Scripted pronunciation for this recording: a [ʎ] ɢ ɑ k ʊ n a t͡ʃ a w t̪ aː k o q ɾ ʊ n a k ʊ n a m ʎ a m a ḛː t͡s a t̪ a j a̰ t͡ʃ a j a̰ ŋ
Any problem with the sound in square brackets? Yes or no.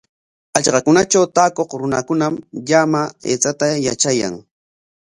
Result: no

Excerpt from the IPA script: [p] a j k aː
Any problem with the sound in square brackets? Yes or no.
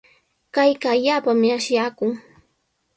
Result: yes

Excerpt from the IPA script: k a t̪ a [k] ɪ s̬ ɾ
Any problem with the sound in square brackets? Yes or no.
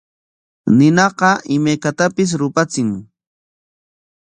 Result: yes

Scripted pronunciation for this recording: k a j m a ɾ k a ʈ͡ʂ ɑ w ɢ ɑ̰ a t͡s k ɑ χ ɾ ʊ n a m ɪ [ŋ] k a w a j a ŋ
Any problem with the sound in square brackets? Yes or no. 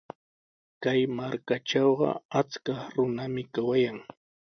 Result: yes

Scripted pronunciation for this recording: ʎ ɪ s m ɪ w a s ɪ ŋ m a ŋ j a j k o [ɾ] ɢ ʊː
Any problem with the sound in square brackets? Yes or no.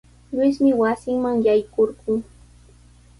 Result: no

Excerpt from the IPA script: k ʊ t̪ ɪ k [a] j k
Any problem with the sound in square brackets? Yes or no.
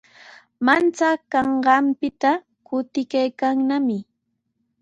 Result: no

